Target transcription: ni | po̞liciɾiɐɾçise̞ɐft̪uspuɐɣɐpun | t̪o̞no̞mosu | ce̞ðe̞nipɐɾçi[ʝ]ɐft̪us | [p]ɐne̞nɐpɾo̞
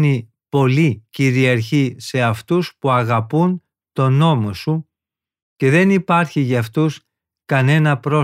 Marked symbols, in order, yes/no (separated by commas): yes, no